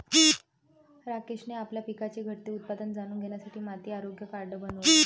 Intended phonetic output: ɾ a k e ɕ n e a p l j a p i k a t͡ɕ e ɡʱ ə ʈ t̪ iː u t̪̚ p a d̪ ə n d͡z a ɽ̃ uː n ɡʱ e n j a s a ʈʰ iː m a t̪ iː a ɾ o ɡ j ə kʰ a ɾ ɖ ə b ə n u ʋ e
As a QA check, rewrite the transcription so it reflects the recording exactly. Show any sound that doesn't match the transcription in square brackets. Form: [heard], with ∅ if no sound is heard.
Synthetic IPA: ɾ a k e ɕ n e a p l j a p i k a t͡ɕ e ɡʱ ə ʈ t̪ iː u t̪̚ p a d̪ ə n d͡z a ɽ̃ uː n ɡʱ e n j a s a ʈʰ iː m a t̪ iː a ɾ o ɡ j ə [k] a ɾ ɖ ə b ə n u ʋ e